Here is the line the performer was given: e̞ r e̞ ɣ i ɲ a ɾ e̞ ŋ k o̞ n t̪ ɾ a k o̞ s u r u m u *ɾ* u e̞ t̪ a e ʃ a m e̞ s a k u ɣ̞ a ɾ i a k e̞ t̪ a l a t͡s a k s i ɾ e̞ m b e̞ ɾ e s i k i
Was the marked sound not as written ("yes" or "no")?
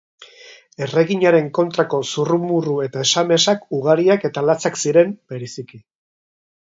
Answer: yes